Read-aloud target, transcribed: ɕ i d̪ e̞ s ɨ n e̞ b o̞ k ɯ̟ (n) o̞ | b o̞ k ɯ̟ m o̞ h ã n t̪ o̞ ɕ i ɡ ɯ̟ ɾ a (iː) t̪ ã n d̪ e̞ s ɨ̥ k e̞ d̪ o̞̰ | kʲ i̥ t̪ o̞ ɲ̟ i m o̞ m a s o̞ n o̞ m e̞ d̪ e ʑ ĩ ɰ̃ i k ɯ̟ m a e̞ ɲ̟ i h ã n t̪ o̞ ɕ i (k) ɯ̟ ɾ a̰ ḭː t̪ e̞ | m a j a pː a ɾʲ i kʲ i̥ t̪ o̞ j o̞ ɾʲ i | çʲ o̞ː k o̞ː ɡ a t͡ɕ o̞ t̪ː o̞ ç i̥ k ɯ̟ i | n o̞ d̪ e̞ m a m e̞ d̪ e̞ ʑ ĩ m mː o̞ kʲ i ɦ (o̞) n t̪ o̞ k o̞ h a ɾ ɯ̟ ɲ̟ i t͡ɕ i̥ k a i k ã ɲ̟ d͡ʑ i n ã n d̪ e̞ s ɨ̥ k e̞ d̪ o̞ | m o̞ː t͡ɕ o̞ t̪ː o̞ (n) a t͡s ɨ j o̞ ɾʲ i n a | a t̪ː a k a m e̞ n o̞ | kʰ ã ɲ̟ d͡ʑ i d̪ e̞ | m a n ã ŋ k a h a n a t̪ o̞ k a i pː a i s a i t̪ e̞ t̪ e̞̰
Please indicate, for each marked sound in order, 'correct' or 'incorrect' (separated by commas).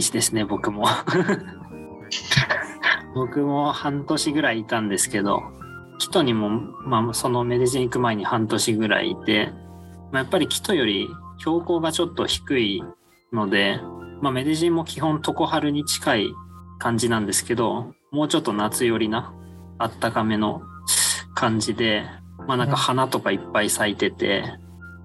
incorrect, correct, incorrect, incorrect, correct